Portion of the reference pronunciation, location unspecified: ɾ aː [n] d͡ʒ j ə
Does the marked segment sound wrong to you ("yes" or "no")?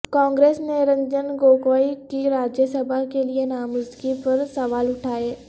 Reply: yes